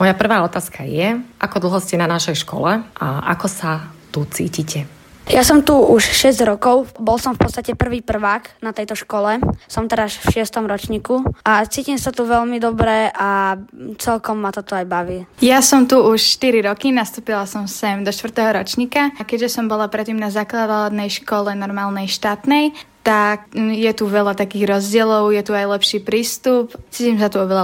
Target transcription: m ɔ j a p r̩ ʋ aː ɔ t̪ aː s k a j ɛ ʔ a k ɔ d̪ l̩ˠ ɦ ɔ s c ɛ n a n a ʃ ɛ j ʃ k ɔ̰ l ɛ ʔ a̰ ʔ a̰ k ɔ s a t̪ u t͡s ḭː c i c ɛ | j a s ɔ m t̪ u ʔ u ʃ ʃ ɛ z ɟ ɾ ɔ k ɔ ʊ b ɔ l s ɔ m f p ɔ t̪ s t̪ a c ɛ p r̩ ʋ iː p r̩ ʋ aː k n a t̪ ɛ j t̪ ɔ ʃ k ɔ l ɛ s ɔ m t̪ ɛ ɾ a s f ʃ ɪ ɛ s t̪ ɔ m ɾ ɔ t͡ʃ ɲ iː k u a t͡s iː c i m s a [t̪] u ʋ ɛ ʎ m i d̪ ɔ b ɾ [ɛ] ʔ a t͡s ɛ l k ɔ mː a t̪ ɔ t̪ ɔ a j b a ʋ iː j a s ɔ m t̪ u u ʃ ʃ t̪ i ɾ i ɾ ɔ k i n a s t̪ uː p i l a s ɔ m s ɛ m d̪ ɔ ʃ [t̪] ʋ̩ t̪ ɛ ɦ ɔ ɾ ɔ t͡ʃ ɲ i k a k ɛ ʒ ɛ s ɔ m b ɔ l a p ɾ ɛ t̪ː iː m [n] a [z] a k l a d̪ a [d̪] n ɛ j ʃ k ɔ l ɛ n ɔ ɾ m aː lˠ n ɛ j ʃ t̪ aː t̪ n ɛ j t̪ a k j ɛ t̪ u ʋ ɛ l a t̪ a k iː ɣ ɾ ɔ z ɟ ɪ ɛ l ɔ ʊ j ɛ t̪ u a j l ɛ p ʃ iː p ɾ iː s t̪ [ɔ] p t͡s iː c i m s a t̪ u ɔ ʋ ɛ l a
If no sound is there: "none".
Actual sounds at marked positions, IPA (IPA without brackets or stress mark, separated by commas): t̪, ɛ, t̪, n, z, d̪, u